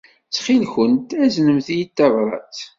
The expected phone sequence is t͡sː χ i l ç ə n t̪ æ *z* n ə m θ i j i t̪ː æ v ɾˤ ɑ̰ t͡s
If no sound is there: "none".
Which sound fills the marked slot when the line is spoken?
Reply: z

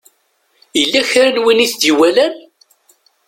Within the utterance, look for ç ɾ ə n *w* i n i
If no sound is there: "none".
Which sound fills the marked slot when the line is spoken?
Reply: w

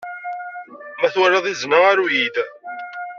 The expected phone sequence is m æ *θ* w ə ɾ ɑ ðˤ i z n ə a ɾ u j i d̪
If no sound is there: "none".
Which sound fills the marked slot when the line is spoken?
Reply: θ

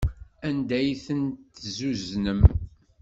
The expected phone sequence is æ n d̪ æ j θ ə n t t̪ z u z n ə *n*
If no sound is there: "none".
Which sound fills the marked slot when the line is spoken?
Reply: m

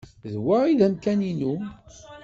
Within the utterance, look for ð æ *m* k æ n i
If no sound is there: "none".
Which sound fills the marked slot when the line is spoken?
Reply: m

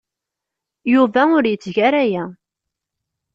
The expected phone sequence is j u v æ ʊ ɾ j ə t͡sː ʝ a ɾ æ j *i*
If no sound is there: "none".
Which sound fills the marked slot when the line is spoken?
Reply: æ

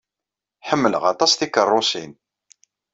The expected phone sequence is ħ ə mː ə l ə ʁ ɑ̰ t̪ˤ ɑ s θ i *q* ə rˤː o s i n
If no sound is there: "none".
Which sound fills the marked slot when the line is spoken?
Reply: k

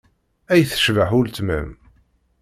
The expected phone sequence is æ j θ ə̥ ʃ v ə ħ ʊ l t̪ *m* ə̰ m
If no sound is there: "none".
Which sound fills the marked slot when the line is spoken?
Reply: m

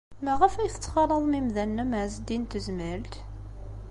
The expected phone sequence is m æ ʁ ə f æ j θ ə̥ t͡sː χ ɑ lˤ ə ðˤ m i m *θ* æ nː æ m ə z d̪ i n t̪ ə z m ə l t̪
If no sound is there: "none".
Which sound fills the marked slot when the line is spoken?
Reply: ð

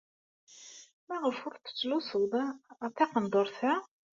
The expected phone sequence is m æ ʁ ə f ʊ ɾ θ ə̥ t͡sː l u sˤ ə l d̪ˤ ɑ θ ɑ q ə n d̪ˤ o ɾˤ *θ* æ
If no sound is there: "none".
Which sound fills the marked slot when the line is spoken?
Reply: θ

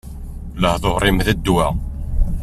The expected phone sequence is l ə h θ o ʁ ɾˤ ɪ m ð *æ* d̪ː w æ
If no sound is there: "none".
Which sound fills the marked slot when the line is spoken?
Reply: æ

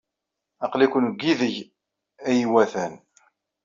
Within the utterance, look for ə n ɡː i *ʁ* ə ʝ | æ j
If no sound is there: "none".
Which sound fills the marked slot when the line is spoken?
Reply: ð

